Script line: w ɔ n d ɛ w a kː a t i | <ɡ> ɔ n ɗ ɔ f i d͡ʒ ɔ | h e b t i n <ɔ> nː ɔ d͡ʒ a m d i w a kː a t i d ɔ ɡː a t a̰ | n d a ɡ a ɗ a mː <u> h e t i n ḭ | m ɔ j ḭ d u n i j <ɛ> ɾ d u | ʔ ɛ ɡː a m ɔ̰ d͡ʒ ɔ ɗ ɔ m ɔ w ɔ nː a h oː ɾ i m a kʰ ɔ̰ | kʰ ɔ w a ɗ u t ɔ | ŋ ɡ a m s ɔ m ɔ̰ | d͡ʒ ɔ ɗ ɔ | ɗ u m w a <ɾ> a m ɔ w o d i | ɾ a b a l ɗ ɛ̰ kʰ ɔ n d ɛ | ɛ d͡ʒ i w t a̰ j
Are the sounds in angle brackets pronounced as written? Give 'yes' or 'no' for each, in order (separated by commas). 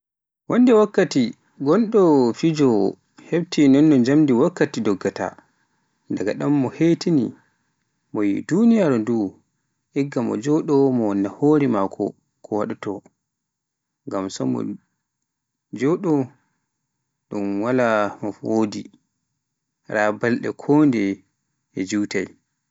yes, yes, no, no, no